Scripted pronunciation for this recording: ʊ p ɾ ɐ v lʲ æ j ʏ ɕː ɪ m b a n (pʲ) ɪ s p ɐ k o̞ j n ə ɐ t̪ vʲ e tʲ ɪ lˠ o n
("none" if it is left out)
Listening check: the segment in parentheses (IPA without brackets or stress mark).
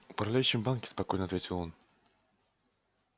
kʲ